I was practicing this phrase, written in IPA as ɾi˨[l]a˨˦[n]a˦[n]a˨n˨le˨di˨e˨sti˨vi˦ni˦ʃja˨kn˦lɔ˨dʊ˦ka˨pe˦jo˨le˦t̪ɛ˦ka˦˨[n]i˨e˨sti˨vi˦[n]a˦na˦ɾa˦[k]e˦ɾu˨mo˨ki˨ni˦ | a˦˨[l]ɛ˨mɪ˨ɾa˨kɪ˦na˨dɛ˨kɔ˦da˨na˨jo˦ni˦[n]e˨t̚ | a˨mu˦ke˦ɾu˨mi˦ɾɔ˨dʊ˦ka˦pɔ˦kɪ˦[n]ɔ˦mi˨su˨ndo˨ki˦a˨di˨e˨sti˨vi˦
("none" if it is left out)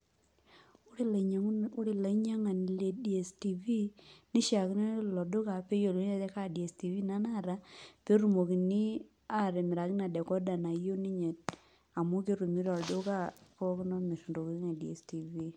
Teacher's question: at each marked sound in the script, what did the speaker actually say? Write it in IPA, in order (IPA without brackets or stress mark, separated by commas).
l, ɲ, ŋ, d, n, p, ɾ, ɲ, n